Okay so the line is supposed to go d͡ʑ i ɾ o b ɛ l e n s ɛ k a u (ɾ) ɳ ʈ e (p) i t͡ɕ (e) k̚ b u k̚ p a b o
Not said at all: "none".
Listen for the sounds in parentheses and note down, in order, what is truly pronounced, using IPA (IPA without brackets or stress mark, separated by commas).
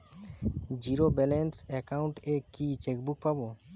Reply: none, k, e